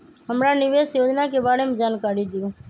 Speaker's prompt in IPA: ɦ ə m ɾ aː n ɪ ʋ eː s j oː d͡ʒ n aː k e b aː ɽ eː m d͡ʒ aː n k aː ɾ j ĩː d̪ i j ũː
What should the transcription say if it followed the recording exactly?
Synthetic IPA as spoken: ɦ ə m ɾ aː n ɪ ʋ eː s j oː d͡ʒ n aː k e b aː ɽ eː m d͡ʒ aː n k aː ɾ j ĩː d̪ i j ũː